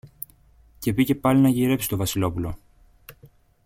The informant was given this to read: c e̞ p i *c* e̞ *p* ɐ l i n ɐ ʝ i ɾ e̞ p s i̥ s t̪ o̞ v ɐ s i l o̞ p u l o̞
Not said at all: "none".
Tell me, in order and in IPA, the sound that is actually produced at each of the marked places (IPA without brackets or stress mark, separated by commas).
c, p